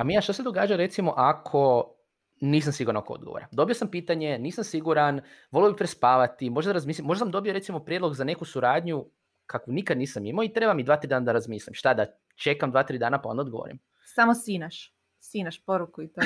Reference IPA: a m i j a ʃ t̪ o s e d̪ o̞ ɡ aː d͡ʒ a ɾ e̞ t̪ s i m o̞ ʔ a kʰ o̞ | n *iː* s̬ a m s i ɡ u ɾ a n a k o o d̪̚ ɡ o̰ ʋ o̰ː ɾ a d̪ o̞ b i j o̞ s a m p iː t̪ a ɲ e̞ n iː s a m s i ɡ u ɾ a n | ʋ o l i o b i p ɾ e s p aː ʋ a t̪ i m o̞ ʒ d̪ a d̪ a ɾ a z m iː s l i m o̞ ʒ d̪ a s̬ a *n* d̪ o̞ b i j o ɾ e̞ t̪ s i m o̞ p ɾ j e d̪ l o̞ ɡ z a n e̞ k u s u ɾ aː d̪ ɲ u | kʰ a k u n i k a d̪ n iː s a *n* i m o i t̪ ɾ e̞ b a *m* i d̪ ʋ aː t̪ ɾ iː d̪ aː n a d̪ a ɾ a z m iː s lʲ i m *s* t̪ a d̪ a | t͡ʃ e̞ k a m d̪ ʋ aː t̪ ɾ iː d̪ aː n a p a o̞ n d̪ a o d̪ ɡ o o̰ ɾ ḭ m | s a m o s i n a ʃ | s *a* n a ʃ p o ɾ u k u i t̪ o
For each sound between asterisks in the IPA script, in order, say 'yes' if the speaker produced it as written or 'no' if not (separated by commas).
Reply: yes, no, no, yes, no, no